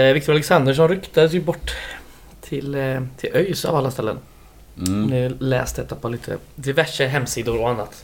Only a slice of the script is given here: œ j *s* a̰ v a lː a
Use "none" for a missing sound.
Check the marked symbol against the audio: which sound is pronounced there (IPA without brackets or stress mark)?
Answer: s